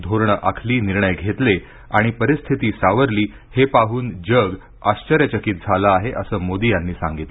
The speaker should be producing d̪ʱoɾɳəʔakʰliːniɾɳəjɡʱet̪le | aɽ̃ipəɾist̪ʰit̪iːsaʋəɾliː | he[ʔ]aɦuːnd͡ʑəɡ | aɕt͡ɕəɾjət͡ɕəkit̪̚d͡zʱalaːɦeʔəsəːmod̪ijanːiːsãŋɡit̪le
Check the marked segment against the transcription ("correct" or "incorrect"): incorrect